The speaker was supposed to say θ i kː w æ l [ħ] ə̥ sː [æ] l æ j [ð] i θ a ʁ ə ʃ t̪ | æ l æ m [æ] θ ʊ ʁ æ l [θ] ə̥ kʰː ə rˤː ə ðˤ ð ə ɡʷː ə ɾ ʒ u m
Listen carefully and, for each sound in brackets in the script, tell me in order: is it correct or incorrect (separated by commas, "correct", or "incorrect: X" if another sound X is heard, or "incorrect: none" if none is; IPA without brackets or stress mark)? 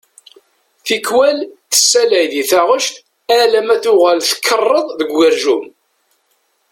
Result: incorrect: θ, correct, correct, correct, correct